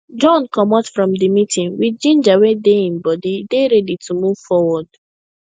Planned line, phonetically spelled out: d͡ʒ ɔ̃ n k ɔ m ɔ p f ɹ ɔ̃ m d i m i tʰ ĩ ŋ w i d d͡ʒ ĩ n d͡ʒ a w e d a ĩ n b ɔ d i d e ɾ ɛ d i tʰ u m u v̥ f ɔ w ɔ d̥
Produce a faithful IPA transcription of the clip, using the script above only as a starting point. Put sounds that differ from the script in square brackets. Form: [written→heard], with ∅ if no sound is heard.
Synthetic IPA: d͡ʒ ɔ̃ n k ɔ m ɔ [p→t] f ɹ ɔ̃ m d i m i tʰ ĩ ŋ w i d d͡ʒ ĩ n d͡ʒ a w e d [a→e] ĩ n b ɔ d i d e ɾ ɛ d i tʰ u m u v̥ f ɔ w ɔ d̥